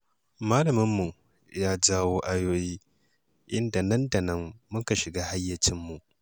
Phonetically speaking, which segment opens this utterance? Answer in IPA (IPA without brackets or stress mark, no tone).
m